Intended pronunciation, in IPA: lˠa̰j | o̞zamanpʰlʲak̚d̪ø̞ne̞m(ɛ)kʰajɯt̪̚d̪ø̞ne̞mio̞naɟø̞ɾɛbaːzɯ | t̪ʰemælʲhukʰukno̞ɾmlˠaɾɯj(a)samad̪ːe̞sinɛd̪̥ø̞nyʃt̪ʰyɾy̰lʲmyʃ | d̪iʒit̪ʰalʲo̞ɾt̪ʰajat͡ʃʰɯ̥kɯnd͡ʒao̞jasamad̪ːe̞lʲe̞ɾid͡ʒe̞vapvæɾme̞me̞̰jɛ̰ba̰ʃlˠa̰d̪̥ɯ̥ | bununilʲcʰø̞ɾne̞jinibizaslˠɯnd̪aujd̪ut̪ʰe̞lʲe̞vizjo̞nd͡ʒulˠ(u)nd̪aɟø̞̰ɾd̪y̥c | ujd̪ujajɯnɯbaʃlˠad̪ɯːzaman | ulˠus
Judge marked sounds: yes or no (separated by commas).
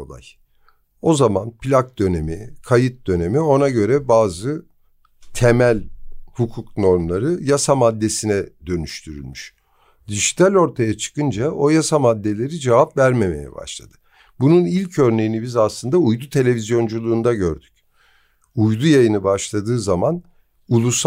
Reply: no, yes, no